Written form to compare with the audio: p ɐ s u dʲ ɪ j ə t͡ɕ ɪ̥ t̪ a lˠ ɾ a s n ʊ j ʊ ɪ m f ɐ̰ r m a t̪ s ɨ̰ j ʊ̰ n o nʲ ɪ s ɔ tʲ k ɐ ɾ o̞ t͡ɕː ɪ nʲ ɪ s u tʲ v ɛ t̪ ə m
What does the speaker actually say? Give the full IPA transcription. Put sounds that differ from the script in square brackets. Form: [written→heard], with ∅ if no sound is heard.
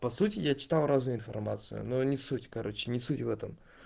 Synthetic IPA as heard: p ɐ s u [dʲ→tʲ] ɪ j [ə→a] t͡ɕ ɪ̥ t̪ a lˠ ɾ a [s→z] n ʊ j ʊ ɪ [m→n] f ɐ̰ r m a t̪ s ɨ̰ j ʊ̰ n o nʲ ɪ s [ɔ→u] tʲ k ɐ ɾ o̞ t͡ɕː ɪ nʲ ɪ s u tʲ v ɛ t̪ ə m